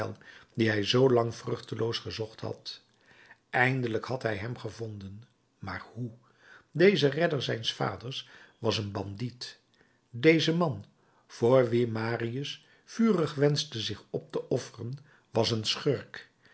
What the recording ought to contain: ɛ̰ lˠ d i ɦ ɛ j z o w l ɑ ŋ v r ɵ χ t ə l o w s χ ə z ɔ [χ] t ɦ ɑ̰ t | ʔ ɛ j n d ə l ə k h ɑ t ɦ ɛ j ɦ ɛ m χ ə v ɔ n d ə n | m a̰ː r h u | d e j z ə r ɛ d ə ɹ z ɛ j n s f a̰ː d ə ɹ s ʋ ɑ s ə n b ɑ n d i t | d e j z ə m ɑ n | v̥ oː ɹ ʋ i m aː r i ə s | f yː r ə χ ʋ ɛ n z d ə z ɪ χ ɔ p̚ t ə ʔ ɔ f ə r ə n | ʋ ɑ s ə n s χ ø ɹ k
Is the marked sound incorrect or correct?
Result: correct